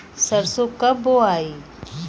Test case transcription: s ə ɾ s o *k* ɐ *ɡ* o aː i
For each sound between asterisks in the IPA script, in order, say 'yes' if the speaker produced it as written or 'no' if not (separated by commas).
yes, no